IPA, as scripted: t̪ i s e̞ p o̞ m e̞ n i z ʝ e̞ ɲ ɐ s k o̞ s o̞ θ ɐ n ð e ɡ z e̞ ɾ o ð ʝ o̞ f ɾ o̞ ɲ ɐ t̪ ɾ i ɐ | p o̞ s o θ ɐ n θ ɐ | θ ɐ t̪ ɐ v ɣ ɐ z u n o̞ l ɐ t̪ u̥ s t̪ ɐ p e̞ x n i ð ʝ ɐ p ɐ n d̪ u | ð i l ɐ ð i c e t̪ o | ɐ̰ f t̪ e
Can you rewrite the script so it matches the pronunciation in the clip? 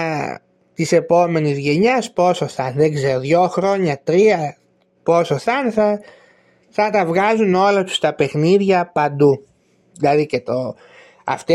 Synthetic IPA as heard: t̪ i s e̞ p o̞ m e̞ n i z ʝ e̞ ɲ ɐ s p o̞ s o̞ θ ɐ n ð e ɡ z e̞ ɾ o ð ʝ o̞ x ɾ o̞ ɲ ɐ t̪ ɾ i ɐ | p o̞ s o θ ɐ n θ ɐ | θ ɐ t̪ ɐ v ɣ ɐ z u n o̞ l ɐ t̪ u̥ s t̪ ɐ p e̞ x n i ð ʝ ɐ p ɐ n d̪ u | ð i l ɐ ð i c e t̪ o | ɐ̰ f t̪ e